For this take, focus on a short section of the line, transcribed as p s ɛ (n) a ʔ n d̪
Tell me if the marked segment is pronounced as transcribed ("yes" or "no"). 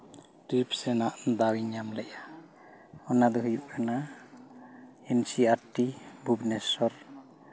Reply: yes